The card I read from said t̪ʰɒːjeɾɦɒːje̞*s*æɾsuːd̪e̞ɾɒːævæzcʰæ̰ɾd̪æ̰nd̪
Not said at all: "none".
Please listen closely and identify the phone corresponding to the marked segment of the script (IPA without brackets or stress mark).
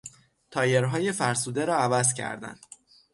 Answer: f